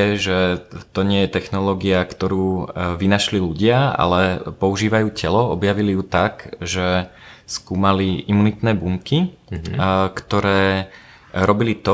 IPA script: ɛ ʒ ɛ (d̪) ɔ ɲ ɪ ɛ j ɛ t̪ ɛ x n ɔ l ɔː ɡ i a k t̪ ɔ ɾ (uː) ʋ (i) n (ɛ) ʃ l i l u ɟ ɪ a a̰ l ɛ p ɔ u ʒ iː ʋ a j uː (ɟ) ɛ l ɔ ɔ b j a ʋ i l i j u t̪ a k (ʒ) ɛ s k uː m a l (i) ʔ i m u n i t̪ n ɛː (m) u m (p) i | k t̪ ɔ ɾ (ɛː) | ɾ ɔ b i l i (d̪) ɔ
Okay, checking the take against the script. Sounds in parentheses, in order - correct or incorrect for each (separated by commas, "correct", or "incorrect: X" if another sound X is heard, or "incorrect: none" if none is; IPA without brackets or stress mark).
incorrect: t̪, correct, correct, incorrect: a, incorrect: c, correct, correct, incorrect: b, incorrect: k, correct, incorrect: t̪